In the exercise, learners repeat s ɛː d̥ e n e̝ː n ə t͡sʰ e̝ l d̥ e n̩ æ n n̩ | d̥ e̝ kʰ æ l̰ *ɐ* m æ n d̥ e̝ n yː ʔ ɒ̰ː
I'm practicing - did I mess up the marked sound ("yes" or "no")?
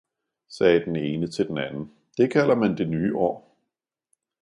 no